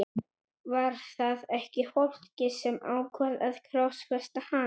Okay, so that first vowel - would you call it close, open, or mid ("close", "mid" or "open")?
open